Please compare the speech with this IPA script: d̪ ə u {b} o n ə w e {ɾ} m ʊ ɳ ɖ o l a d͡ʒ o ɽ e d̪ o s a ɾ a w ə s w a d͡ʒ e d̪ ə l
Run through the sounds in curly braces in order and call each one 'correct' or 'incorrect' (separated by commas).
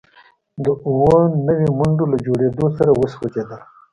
incorrect, incorrect